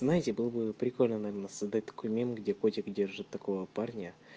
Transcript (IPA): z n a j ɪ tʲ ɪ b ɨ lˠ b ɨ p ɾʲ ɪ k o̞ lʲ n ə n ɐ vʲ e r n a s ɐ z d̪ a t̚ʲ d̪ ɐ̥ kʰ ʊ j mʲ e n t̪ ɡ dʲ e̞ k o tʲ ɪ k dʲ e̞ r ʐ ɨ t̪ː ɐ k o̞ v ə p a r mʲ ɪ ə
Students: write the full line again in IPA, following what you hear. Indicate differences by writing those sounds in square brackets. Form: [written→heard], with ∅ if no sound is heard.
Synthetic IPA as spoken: z n a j ɪ tʲ ɪ b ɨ lˠ b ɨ p ɾʲ ɪ k o̞ lʲ n ə n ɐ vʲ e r n [a→ə] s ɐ z d̪ a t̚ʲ d̪ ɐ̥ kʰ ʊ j mʲ e n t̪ ɡ dʲ e̞ k o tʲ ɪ k dʲ e̞ r ʐ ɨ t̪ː ɐ k o̞ v ə p a r [mʲ→nʲ] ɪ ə